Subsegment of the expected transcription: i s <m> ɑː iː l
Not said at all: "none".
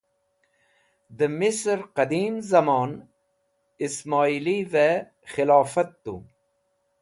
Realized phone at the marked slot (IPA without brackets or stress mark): m